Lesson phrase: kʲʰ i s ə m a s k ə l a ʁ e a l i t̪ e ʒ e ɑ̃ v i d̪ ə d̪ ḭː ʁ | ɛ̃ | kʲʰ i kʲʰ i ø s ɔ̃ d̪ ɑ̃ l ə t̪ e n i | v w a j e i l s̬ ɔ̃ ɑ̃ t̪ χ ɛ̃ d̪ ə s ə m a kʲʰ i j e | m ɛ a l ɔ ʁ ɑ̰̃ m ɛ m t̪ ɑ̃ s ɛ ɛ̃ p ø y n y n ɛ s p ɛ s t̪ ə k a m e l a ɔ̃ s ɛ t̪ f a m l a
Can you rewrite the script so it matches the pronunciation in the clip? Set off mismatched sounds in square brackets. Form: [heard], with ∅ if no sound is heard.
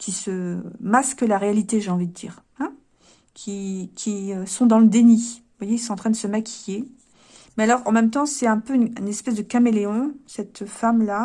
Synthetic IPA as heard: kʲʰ i s ə m a s k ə l a ʁ e a l i t̪ e ʒ e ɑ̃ v i d̪ ə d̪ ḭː ʁ | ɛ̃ | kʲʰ i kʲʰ i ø s ɔ̃ d̪ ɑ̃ l ə [d̪] e n i | v w a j e i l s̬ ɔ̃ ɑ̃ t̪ χ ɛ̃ d̪ ə s ə m a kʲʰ i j e | m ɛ a l ɔ ʁ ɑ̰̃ m ɛ m t̪ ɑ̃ s ɛ ɛ̃ p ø y n y n ɛ s p ɛ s [d̪] ə k a m e l [e] ɔ̃ s ɛ t̪ f a m l a

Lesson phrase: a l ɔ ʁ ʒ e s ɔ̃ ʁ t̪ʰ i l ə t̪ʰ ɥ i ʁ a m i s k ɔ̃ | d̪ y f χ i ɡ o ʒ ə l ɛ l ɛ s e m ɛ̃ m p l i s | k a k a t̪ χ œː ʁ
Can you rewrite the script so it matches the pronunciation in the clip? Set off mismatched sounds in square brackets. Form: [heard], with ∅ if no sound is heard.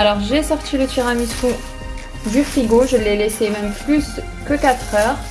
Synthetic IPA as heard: a l ɔ ʁ ʒ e s [ɔ] ʁ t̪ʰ i l ə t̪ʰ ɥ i ʁ a m i s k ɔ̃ | d̪ y f χ i ɡ o ʒ ə l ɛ l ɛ s e m [ɛ] m p l [y] s | k [ə] k a t̪ χ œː ʁ

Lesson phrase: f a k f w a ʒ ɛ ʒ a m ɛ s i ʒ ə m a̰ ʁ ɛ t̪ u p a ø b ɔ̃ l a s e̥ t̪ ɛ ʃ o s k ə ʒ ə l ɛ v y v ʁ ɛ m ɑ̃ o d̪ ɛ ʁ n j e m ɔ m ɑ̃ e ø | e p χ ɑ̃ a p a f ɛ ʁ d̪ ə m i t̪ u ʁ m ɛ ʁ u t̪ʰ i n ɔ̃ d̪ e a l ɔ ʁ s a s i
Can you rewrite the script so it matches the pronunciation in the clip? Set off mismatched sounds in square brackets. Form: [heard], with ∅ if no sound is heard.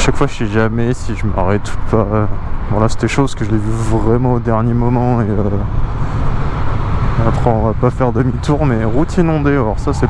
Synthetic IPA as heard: [ʃ] a k f w a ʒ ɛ ʒ a m ɛ s i ʒ ə m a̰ ʁ ɛ t̪ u p a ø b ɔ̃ l a s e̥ t̪ ɛ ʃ o [z] k ə ʒ ə l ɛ v y v ʁ ɛ m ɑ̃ o d̪ ɛ ʁ n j e m ɔ m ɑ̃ e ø | [a] p χ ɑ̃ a p a f ɛ ʁ d̪ ə m i t̪ u ʁ m ɛ ʁ u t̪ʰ i n ɔ̃ d̪ e a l ɔ ʁ s a s [ɛ]

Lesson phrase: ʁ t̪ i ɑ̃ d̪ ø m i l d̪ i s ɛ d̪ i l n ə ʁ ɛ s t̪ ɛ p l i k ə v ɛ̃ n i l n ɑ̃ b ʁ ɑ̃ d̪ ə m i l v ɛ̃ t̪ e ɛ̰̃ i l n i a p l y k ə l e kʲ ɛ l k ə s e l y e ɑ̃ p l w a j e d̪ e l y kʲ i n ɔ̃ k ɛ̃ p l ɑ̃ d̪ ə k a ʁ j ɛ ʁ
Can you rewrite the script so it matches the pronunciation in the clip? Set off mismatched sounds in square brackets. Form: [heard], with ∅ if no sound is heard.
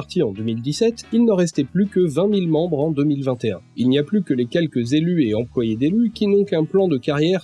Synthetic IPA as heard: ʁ t̪ i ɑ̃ d̪ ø m i l d̪ i s ɛ [t̪] i l n ə ʁ ɛ s t̪ ɛ p l [y] k ə v ɛ̃ [m] i l [m] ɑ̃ b ʁ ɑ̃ d̪ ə m i l v ɛ̃ t̪ e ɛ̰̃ i l n i a p l y k ə l e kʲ ɛ l k ə [z] e l y e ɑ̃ p l w a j e d̪ e l y kʲ i n ɔ̃ k ɛ̃ p l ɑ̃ d̪ ə k a ʁ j ɛ ʁ

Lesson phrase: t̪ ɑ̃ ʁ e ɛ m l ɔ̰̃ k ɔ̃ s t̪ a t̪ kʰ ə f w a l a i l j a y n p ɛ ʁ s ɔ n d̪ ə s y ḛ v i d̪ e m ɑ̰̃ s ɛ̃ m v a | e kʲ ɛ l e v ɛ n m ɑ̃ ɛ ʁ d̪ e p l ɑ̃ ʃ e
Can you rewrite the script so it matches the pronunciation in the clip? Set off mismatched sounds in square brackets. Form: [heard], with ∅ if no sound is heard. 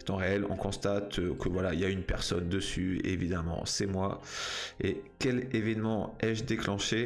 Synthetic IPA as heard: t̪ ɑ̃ ʁ e ɛ [∅] l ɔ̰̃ k ɔ̃ s t̪ a t̪ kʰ ə [v] w a l a i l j a y n p ɛ ʁ s ɔ n d̪ ə s y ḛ v i d̪ [a] m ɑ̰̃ s [ɛ] m [w] a | e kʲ ɛ l e v ɛ n m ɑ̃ ɛ [ʒ] d̪ e [k] l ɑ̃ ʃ e

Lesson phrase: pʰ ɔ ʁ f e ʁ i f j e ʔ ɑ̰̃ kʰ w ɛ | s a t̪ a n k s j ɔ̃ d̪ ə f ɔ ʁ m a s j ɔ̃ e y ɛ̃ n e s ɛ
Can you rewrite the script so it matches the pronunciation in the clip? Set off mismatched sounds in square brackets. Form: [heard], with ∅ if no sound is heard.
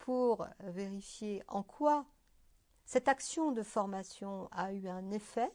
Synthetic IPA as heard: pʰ [u] ʁ [v] e ʁ i f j e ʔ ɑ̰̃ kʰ w [a] | s [ɛ] t̪ a [∅] k s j ɔ̃ d̪ ə f ɔ ʁ m a s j ɔ̃ [a] y ɛ̃ n e [f] ɛ

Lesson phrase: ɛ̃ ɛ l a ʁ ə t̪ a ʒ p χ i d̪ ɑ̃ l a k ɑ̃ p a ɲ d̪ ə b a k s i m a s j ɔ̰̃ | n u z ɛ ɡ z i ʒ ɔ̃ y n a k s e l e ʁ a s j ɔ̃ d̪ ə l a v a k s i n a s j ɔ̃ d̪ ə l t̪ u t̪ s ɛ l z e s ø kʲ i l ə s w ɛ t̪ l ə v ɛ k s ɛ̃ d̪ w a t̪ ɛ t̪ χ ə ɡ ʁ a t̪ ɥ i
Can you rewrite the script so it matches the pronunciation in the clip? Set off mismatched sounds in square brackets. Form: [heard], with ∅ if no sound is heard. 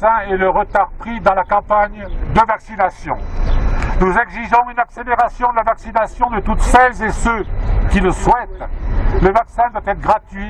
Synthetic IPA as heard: ɛ̃ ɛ l [ə] ʁ ə t̪ a [ʁ] p χ i d̪ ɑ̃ l a k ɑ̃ p a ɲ d̪ ə [v] a k s i [n] a s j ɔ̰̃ | n u z ɛ ɡ z i ʒ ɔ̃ y n a k s e l e ʁ a s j ɔ̃ d̪ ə l a v a k s i n a s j ɔ̃ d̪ ə [∅] t̪ u t̪ s ɛ l z e s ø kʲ i l ə s w ɛ t̪ l ə v [a] k s ɛ̃ d̪ w a t̪ ɛ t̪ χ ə ɡ ʁ a t̪ ɥ i

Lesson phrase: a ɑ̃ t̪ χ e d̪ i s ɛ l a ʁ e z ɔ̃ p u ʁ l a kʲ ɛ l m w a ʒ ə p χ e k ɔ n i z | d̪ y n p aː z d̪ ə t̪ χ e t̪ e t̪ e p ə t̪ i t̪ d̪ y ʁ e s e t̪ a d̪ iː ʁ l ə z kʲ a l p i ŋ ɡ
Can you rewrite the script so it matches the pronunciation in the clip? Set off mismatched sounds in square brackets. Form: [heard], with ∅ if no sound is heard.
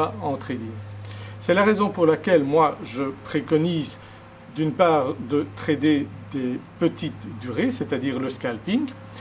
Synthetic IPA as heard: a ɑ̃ t̪ χ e d̪ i s ɛ l a ʁ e z ɔ̃ p u ʁ l a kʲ ɛ l m w a ʒ ə p χ e k ɔ n i z | d̪ y n p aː [ʁ] d̪ ə t̪ χ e [d̪] e [d̪] e p ə t̪ i t̪ d̪ y ʁ e s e t̪ a d̪ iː ʁ l ə [s] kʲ a l p i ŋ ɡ

